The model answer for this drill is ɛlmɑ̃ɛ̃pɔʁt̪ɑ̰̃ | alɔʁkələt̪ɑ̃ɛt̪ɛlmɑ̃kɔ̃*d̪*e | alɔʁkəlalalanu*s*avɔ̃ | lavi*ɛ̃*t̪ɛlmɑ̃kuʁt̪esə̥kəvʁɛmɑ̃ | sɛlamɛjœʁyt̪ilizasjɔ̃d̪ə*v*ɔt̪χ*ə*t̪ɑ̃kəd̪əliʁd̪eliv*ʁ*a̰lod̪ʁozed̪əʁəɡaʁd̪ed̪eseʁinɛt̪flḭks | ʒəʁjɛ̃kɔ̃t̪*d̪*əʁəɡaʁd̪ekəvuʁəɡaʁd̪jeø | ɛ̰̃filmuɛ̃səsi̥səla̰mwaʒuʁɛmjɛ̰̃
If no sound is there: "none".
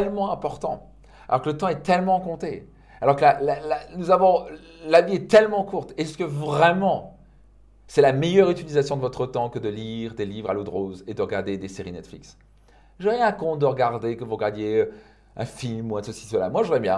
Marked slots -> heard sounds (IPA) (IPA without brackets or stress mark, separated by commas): t̪, z, ɛ, v, ə, ʁ, d̪